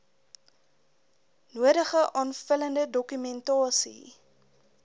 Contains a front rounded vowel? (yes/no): yes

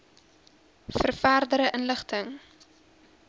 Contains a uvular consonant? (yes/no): yes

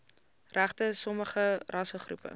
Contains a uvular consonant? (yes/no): yes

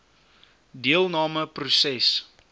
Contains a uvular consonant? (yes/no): no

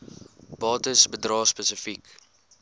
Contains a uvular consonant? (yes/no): no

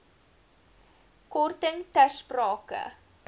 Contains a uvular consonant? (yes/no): no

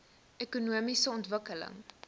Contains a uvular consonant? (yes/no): no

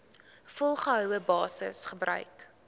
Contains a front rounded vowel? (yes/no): yes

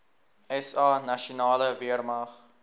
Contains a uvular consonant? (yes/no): yes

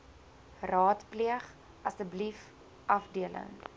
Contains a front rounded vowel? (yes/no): no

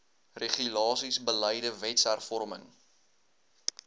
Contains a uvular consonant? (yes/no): yes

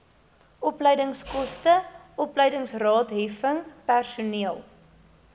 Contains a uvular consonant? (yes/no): no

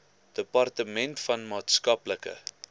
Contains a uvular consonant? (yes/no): no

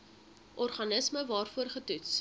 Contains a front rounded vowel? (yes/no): no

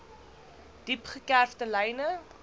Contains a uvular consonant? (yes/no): yes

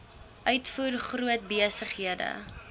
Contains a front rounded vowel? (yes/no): yes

